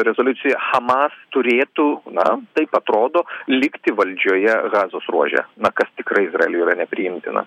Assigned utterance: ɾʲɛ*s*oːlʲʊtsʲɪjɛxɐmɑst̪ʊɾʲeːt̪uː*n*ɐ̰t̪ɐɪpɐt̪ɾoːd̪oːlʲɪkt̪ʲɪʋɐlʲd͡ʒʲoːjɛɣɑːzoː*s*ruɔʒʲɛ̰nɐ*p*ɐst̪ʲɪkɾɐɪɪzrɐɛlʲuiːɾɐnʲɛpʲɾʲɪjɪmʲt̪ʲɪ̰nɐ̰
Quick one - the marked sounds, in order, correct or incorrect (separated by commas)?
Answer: incorrect, correct, correct, incorrect